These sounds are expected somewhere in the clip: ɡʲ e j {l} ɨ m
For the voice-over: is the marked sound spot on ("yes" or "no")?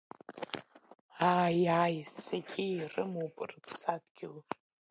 no